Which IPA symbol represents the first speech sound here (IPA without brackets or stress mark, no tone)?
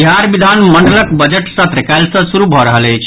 ɦ